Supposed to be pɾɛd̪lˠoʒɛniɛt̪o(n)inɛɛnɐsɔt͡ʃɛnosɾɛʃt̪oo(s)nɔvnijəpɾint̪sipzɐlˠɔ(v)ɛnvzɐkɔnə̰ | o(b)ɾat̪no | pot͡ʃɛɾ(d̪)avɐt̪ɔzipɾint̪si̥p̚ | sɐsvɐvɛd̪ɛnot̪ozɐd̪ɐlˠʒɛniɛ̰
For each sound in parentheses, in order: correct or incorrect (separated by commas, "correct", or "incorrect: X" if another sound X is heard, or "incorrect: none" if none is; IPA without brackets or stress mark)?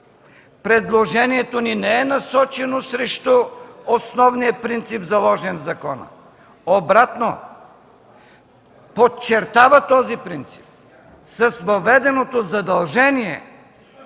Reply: correct, correct, incorrect: ʒ, correct, incorrect: t̪